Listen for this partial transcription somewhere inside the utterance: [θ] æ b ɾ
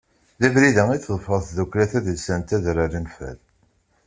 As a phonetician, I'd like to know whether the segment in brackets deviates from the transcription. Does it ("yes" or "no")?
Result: yes